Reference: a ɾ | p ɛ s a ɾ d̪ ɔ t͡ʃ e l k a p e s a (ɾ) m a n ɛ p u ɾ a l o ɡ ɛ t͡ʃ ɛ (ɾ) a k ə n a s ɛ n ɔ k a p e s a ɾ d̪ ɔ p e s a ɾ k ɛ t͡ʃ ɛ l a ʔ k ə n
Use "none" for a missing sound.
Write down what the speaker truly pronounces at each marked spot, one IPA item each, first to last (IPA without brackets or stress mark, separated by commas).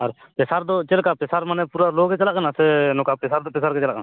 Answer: ɾ, l